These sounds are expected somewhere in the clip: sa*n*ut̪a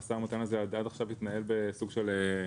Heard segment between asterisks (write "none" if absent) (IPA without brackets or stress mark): m